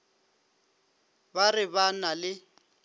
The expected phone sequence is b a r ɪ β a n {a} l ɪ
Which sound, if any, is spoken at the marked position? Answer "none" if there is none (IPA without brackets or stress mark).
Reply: a